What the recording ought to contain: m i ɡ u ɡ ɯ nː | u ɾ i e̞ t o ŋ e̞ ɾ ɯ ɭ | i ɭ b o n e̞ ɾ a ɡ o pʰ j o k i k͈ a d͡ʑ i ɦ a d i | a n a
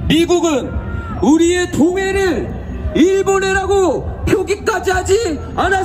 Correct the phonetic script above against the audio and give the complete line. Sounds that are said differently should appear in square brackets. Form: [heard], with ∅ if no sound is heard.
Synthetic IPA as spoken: m i ɡ u ɡ ɯ [n] | u ɾ i e̞ t o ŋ e̞ ɾ ɯ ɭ | i ɭ b o n e̞ ɾ a ɡ o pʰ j o [ɡ] i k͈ a d͡ʑ i ɦ a [d͡ʑ] i | a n a